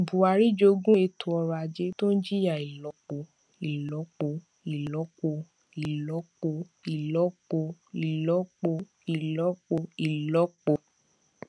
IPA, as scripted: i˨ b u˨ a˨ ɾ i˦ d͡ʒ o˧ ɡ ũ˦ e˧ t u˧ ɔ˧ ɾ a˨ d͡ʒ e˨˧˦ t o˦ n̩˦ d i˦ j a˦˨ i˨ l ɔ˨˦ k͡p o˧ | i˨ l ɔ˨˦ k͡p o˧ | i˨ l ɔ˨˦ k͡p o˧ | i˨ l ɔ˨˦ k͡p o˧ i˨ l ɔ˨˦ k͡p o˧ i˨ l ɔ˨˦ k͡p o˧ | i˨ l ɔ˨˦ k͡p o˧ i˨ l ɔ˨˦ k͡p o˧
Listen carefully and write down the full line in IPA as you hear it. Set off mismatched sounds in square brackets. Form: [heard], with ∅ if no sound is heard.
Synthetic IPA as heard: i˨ b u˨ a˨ ɾ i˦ d͡ʒ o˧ ɡ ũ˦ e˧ t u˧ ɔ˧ ɾ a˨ d͡ʒ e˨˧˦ t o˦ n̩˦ [d͡ʒ] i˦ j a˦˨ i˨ l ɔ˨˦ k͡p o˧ | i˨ l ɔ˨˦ k͡p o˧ | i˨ l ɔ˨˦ k͡p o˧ | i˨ l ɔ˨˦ k͡p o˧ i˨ l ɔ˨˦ k͡p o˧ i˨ l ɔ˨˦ k͡p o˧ | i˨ l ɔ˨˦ k͡p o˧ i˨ l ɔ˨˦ k͡p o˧